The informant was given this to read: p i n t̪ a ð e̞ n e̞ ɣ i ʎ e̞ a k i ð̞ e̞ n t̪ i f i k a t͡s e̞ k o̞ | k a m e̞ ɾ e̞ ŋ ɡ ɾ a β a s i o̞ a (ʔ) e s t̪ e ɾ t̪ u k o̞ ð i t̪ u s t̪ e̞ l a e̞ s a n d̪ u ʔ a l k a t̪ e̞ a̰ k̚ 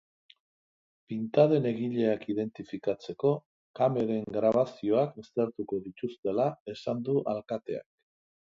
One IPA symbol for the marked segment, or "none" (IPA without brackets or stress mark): k